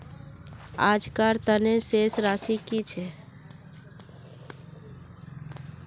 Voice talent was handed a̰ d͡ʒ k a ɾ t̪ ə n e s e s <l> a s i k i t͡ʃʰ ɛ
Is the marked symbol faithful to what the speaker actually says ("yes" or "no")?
no